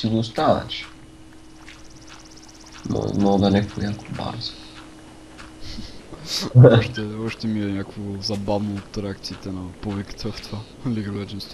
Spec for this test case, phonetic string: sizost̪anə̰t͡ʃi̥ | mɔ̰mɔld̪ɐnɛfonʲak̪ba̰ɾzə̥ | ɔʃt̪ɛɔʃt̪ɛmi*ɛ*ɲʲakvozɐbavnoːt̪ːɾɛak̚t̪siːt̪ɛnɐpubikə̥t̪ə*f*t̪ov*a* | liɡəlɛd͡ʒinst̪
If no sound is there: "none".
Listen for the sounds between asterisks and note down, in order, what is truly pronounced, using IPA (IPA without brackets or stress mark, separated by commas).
ɛ, f, a